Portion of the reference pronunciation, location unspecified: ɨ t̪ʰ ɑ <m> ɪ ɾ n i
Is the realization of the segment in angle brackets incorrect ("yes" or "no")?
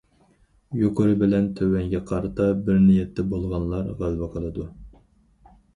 yes